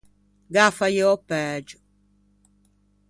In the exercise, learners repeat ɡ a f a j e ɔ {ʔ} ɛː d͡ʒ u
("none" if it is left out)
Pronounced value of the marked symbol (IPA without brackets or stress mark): p